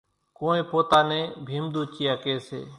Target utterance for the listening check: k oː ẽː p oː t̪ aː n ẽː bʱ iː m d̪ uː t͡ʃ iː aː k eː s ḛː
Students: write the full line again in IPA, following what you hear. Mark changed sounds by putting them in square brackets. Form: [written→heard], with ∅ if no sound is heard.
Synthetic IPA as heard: k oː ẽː p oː t̪ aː n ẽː bʱ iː m d̪ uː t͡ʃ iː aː k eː s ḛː

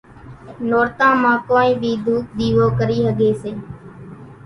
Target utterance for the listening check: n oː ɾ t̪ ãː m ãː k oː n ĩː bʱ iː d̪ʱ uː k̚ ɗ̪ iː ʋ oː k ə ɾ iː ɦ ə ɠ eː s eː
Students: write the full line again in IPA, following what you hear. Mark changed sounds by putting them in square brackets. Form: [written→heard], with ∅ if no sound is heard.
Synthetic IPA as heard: n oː ɾ t̪ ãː m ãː k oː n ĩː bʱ iː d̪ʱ uː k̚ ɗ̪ iː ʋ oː k ə ɾ iː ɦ ə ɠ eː s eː

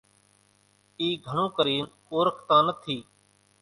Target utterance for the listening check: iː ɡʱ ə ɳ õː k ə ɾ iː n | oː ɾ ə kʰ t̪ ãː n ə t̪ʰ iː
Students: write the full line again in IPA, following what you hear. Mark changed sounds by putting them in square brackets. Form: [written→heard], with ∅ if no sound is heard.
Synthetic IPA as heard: iː ɡʱ ə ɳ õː k ə ɾ iː n | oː ɾ ə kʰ t̪ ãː n ə t̪ʰ iː

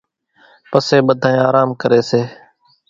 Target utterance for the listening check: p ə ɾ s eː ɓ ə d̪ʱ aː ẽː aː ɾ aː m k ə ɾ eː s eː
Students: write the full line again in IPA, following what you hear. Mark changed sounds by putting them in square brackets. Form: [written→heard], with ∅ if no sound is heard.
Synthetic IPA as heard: p ə [ɾ→∅] s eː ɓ ə d̪ʱ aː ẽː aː ɾ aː m k ə ɾ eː s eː

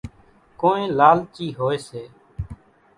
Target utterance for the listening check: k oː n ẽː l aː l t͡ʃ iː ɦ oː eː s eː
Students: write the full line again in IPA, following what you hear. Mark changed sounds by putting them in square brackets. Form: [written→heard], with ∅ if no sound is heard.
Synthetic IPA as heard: k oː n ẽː l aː l t͡ʃ iː ɦ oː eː s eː

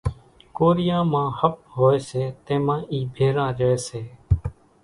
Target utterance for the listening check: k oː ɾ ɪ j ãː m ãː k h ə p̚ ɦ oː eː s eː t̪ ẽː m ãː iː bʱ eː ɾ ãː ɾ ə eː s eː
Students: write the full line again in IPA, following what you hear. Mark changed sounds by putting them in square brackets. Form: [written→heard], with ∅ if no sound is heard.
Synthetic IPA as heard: k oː ɾ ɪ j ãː m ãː [k→∅] h ə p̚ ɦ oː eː s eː t̪ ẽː m ãː iː bʱ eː ɾ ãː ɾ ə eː s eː

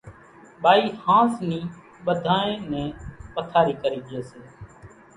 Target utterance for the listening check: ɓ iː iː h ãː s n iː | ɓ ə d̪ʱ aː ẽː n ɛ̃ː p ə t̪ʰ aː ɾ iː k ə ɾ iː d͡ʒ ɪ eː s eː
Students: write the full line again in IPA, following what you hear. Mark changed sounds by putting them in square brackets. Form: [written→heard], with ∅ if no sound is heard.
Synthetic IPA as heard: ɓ [iː→aː] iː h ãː s n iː | ɓ ə d̪ʱ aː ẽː n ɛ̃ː p ə t̪ʰ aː ɾ iː k ə ɾ iː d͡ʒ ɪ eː s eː

